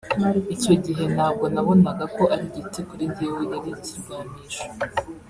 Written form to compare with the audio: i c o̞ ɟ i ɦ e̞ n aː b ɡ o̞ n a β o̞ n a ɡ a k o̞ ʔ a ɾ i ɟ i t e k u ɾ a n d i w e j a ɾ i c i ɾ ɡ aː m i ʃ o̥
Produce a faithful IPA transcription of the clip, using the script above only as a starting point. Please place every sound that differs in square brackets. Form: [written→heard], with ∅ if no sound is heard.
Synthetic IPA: i c o̞ ɟ i ɦ e̞ n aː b ɡ o̞ n a β o̞ n a ɡ a k o̞ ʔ a ɾ i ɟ i t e k u ɾ [a→i] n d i w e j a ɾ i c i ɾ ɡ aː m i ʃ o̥